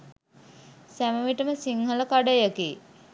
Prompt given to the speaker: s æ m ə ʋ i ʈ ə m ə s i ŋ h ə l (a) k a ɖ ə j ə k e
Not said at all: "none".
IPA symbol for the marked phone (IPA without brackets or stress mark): ə